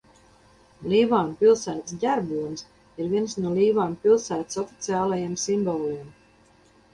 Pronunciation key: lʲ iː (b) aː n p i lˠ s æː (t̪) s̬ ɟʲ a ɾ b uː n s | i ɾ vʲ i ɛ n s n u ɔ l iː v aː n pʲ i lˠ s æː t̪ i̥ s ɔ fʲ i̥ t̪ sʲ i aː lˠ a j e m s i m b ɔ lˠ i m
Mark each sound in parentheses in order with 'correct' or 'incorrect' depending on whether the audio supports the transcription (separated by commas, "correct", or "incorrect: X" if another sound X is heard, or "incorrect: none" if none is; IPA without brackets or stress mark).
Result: incorrect: v, correct